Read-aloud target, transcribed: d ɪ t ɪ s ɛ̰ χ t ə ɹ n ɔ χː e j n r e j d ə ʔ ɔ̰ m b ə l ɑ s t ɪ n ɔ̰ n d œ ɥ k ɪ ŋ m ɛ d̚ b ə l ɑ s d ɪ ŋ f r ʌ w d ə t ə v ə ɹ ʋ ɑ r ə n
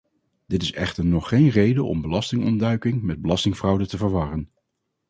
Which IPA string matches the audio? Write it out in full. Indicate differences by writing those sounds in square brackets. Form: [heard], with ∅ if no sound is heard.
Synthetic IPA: d ɪ t ɪ s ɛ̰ χ t ə ɹ n ɔ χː e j n r e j d ə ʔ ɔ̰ m b ə l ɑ s t ɪ [ŋ] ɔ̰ n d œ ɥ k ɪ ŋ m ɛ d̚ b ə l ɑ s [t] ɪ ŋ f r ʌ w d ə t ə v ə ɹ ʋ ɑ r ə n